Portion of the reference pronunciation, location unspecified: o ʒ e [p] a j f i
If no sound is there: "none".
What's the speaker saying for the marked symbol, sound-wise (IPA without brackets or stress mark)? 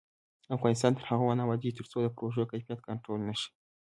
k